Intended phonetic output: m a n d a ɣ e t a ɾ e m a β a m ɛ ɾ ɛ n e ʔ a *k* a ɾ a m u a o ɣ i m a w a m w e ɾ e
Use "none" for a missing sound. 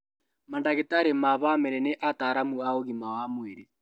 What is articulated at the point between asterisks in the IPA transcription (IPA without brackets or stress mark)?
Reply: t